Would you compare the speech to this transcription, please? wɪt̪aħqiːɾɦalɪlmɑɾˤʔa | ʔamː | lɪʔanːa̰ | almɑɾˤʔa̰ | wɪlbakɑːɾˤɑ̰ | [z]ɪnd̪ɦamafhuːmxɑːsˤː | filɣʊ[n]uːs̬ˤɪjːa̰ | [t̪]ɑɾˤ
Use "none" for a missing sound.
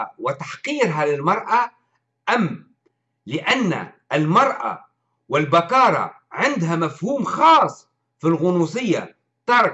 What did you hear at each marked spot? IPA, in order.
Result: ʕ, n, t̪

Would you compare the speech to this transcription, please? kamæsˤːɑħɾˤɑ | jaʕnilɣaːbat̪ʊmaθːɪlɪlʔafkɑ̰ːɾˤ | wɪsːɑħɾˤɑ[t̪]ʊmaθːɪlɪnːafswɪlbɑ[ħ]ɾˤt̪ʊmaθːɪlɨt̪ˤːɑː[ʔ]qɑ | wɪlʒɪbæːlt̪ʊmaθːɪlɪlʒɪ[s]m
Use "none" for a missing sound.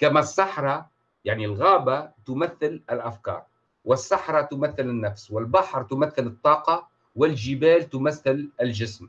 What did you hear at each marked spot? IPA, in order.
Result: t̪, ħ, none, s

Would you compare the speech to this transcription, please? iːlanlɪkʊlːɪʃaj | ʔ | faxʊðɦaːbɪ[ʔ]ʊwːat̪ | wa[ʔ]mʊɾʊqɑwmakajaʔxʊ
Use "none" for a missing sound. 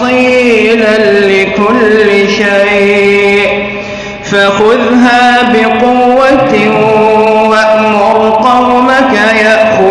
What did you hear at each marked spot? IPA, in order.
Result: q, ʔ

